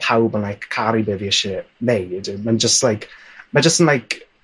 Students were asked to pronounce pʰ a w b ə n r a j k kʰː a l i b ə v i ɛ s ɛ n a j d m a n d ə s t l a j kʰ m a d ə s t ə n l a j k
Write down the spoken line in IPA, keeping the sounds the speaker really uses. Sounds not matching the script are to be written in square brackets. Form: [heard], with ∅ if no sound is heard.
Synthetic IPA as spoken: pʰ a w b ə n [l] a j k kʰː a [ɾ] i b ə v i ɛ [ʃ] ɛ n [e] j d m a n [d͡ʒ] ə s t l a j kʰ m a [d͡ʒ] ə s t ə n l a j k